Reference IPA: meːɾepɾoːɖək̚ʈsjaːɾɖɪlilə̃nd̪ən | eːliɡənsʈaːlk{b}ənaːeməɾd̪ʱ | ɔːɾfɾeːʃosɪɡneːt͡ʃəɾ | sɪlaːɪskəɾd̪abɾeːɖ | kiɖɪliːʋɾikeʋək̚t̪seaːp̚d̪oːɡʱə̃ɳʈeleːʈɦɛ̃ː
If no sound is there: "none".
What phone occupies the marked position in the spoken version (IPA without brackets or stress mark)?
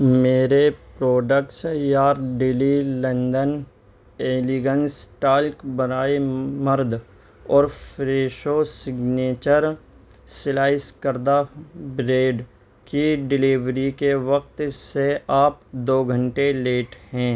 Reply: b